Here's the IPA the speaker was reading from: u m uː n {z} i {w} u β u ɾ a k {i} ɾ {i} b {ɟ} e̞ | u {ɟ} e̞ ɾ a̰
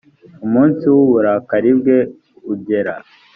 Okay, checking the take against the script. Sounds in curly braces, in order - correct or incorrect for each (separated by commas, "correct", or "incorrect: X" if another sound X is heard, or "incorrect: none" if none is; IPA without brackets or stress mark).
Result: incorrect: s, correct, incorrect: a, correct, incorrect: ɡ, correct